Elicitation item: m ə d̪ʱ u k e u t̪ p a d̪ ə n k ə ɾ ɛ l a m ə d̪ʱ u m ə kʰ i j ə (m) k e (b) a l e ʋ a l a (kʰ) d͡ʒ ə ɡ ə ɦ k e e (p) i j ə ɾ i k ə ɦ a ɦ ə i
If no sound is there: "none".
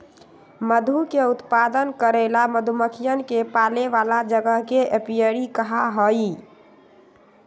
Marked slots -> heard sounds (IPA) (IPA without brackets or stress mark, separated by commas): n, p, none, p